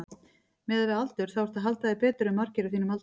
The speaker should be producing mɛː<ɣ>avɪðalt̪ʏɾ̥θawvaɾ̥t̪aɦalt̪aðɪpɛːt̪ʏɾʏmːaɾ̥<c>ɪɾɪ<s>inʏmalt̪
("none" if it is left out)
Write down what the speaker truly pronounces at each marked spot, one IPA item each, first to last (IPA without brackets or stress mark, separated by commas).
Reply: ð, c, θ